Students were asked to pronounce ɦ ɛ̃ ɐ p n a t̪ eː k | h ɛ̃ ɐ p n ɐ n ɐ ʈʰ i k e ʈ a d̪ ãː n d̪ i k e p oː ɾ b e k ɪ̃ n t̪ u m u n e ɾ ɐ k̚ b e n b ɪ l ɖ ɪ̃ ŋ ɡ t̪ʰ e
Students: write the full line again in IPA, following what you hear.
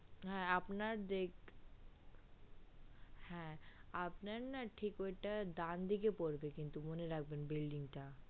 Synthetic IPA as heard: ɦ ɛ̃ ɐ p n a d̪ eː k | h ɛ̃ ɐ p n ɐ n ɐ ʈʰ i k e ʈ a d̪ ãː n d̪ i k e p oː ɾ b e k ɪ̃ n t̪ u m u n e ɾ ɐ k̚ b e n b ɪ l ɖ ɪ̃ ŋ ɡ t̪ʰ a